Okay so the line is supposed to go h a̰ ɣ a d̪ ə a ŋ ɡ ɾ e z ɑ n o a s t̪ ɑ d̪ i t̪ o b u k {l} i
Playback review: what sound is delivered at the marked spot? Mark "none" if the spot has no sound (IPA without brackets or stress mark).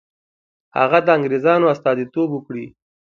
ɽ